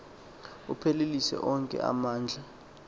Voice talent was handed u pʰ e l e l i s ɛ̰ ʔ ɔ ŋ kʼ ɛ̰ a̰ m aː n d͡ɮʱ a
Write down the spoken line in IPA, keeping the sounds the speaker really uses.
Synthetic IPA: u pʰ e l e l i s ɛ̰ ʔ ɔ ŋ kʼ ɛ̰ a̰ m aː n d͡ɮʱ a